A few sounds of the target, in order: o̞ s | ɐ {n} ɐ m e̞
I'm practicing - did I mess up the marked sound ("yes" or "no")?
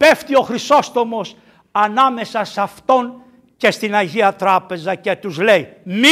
no